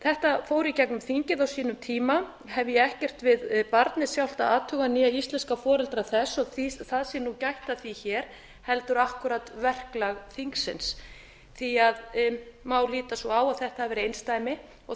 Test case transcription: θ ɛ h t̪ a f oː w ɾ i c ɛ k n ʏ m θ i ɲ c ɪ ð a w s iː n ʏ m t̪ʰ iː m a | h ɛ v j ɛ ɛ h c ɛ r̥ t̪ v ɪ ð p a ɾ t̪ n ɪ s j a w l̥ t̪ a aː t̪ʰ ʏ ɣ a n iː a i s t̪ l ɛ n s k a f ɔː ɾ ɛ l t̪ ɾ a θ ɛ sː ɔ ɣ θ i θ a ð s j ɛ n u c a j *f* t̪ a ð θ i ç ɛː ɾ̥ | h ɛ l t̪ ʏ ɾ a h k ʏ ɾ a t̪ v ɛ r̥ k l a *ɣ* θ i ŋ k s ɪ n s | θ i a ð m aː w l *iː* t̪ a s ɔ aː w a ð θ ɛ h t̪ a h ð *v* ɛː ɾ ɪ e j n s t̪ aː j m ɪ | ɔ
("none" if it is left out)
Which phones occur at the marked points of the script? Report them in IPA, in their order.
h, ɣ, iː, v

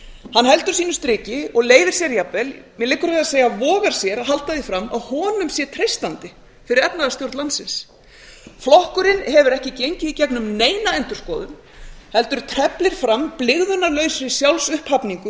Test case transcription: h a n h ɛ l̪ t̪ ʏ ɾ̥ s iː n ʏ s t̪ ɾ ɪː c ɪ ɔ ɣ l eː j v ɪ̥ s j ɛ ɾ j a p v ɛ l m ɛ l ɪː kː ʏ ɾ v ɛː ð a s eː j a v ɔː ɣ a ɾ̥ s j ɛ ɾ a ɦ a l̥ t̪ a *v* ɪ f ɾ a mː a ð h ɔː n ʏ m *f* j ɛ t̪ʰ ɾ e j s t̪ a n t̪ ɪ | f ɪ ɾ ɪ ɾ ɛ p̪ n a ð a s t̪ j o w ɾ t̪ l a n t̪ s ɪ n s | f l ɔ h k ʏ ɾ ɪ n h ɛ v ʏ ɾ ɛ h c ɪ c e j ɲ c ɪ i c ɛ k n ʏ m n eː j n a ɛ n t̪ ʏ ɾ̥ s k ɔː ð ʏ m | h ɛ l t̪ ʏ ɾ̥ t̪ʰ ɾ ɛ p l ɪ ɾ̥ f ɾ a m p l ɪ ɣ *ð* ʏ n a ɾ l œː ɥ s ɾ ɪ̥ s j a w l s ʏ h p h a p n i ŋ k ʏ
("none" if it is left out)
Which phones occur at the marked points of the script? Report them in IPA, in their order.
ð, s, ð

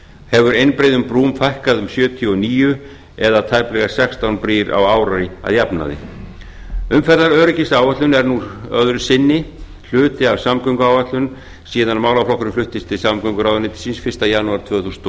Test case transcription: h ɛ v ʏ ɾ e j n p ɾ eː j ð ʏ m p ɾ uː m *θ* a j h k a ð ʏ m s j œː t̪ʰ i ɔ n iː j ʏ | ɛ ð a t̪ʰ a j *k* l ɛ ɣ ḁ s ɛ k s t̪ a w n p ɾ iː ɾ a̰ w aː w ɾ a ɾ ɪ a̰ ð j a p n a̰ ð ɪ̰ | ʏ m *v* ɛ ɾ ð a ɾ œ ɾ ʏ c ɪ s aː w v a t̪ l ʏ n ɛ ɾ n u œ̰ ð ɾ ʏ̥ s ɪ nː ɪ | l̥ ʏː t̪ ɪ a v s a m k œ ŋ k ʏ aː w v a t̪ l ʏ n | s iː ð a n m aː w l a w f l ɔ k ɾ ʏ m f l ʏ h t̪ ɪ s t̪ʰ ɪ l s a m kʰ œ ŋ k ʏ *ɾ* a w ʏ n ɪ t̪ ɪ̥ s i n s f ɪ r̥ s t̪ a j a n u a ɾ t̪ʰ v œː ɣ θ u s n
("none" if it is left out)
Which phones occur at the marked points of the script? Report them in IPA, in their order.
f, p, f, ɾ

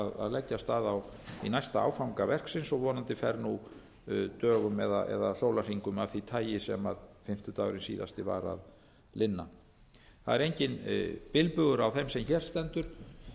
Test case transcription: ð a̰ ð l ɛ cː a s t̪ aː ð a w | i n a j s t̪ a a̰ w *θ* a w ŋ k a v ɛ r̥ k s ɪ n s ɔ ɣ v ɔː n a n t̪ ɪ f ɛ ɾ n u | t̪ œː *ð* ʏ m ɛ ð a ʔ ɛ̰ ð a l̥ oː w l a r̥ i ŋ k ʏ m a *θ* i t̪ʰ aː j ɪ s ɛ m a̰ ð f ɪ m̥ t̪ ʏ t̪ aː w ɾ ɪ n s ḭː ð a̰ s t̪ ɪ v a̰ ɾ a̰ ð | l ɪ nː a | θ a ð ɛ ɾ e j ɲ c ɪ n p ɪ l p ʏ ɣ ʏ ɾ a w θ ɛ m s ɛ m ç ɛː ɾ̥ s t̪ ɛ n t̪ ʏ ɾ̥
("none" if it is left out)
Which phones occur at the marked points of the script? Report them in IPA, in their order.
f, ɣ, θ

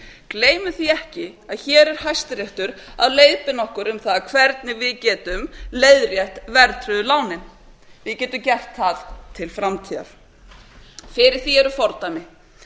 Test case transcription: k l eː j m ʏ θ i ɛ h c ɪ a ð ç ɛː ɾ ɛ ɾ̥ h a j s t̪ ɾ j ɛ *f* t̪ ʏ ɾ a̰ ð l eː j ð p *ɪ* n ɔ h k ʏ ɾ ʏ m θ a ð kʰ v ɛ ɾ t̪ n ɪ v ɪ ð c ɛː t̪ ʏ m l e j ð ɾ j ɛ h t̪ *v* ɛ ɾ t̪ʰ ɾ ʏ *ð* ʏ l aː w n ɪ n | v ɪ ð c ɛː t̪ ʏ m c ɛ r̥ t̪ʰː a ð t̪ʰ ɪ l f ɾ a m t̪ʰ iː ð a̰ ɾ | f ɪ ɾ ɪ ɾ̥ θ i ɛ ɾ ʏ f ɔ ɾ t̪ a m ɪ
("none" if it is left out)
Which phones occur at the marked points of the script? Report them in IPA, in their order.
h, ɪ, v, ð

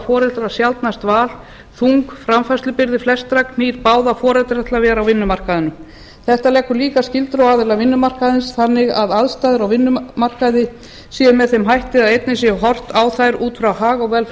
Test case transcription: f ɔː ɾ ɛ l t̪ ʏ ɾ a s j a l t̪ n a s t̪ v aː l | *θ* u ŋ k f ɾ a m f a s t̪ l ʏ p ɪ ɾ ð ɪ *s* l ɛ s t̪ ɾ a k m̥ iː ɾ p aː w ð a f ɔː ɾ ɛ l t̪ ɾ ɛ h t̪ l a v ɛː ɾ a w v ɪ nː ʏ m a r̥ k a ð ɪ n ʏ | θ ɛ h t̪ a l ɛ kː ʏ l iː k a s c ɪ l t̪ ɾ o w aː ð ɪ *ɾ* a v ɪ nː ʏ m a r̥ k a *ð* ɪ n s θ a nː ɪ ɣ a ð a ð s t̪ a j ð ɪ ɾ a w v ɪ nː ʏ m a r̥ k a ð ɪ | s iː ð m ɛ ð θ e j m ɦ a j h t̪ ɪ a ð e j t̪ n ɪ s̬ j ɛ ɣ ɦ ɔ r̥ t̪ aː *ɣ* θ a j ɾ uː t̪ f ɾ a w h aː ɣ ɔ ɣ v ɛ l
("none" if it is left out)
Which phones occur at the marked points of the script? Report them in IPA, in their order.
θ, f, l, ð, w

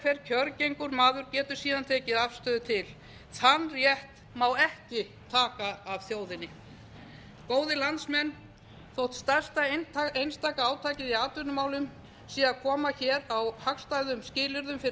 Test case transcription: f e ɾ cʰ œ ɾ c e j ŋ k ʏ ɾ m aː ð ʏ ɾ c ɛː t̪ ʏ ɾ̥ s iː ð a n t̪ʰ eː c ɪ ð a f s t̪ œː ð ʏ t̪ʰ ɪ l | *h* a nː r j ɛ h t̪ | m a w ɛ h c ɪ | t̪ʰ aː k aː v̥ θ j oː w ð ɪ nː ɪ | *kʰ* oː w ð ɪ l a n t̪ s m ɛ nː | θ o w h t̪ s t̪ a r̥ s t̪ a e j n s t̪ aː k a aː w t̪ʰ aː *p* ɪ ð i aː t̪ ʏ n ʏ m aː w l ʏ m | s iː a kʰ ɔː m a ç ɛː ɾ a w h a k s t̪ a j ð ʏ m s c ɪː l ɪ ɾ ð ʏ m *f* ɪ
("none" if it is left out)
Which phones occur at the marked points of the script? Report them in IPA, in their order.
θ, k, c, f

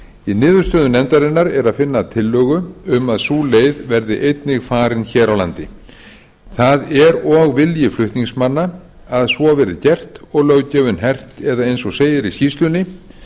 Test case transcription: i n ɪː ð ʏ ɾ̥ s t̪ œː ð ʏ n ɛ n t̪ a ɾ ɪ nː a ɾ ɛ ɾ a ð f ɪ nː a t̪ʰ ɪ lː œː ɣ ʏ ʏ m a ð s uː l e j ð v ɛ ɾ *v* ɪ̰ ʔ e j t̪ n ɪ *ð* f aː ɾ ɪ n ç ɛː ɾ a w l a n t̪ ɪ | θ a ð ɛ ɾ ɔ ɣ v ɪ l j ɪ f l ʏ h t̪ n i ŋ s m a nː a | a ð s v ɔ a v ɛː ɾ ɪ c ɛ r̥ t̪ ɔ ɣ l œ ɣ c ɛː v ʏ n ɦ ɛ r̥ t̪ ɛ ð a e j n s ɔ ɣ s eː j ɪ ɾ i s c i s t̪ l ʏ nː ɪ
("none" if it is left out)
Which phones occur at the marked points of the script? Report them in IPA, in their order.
ð, ɣ

